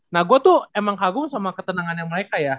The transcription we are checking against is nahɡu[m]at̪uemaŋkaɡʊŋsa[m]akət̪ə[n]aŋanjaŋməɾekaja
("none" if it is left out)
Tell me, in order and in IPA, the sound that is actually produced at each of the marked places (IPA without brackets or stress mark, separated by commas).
none, m, n